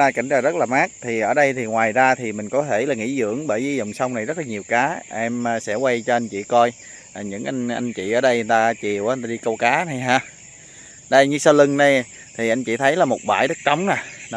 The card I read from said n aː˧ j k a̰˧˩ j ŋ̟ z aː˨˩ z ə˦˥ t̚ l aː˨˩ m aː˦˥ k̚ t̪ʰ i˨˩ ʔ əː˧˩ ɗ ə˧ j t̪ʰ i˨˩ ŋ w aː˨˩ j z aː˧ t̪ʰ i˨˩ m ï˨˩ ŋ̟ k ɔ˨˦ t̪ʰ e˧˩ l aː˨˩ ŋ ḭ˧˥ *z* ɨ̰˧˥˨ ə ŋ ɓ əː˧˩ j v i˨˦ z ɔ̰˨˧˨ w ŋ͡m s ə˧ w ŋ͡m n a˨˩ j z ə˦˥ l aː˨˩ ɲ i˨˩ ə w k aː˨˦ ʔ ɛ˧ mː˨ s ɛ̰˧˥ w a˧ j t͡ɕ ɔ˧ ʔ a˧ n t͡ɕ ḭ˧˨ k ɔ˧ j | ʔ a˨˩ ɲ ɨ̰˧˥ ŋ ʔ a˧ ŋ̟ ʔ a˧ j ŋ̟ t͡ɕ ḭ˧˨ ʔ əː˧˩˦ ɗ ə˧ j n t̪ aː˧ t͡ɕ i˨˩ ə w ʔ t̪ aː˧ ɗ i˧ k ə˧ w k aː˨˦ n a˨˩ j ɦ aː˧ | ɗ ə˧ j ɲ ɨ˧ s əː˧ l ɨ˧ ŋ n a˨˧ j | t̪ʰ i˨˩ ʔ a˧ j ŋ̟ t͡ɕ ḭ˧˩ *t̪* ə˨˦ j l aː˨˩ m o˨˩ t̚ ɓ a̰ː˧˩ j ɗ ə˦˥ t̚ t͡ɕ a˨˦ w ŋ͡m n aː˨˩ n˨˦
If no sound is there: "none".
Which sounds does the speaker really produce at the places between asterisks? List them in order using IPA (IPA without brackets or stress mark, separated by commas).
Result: z, t̪ʰ